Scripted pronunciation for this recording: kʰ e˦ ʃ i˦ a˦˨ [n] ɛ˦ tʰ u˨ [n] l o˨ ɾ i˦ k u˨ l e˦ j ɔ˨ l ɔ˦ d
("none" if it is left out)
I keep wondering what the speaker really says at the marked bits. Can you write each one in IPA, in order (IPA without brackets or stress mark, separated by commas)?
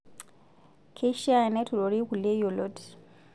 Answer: n, none